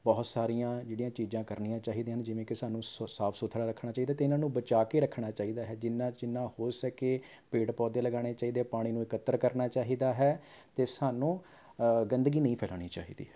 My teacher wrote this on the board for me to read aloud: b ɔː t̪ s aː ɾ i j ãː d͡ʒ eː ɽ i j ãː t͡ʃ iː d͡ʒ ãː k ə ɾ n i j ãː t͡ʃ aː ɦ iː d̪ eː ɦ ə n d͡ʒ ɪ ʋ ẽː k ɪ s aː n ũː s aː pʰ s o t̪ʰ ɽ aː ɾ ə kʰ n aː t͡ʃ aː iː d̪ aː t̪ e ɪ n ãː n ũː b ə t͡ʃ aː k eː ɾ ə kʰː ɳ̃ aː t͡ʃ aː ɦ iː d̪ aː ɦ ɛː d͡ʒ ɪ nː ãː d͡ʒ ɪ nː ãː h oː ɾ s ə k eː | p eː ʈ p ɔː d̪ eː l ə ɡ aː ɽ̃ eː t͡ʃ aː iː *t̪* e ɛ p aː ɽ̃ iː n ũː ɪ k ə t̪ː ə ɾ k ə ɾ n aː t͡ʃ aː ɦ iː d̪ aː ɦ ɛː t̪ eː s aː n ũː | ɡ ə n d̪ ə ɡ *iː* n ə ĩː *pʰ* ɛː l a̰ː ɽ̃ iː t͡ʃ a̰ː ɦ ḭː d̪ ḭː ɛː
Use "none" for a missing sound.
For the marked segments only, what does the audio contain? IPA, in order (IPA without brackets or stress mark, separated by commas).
d̪, iː, pʰ